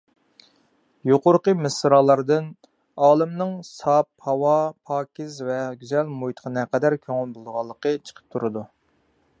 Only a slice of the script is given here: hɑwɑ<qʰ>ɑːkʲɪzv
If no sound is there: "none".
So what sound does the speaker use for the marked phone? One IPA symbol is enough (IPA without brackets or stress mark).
pʰ